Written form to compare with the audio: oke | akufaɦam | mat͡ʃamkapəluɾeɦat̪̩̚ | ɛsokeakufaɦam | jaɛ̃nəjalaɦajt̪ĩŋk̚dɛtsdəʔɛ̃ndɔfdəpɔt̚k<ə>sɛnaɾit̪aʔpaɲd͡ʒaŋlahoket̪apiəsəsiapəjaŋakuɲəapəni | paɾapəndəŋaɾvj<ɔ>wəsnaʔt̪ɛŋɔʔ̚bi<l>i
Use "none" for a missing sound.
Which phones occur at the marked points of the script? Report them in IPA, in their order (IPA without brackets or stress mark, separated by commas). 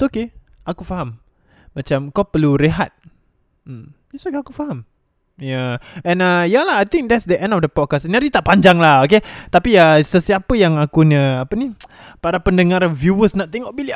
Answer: a, u, l